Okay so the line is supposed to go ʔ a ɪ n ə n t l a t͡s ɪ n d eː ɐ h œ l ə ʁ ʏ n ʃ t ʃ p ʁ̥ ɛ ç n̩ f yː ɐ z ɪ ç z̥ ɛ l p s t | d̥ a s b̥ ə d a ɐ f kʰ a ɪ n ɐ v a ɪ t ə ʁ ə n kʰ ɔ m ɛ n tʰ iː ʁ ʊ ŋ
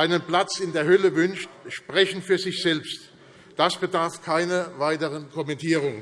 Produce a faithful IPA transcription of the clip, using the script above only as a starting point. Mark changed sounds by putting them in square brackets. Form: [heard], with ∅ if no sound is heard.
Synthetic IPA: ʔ a ɪ n ə n [p] l a t͡s ɪ n d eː ɐ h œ l ə [v] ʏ n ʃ t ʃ p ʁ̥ ɛ ç n̩ f yː ɐ z ɪ ç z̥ ɛ l p s t | d̥ a s b̥ ə d a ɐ f kʰ a ɪ n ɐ v a ɪ t ə ʁ ə n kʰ ɔ m ɛ n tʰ iː ʁ ʊ ŋ